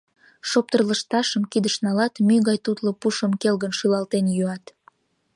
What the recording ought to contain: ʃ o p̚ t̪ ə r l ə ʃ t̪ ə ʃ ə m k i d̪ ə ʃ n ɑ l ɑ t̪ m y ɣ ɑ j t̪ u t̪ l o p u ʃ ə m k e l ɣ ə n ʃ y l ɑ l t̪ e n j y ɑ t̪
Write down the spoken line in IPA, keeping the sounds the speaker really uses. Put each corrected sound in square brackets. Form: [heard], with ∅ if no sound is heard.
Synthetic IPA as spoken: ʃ o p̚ t̪ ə r l ə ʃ t̪ [ɑ] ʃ ə m k i d̪ ə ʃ n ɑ l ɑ t̪ m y ɣ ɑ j t̪ u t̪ l o p u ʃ ə m k e l ɣ ə n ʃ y l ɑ l t̪ e n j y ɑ t̪